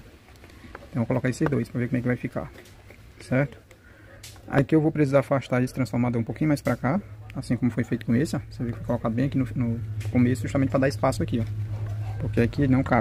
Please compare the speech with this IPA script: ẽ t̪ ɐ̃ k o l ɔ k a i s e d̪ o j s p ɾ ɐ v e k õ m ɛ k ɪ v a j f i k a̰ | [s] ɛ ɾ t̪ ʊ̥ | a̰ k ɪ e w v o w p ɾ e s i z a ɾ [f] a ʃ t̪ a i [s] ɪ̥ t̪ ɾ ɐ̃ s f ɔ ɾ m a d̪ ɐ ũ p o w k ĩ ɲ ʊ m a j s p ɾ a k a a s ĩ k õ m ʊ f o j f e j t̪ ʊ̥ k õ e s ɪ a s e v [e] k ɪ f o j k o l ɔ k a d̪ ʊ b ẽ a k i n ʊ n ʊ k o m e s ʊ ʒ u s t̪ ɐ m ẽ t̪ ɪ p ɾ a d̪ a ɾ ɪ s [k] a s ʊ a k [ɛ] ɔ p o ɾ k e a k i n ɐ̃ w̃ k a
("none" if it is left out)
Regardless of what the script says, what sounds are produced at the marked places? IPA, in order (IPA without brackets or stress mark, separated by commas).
s, f, s, e, p, i